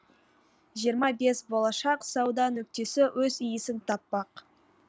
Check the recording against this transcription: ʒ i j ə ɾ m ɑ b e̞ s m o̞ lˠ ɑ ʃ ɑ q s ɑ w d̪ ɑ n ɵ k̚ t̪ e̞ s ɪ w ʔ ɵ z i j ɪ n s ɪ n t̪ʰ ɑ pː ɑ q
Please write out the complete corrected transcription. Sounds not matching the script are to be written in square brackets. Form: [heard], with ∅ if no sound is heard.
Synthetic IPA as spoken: ʒ i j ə ɾ m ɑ b e̞ s [b] o̞ lˠ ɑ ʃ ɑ q s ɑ w d̪ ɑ n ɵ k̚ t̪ e̞ s ɪ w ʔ ɵ z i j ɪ [∅] s ɪ n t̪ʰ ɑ pː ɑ q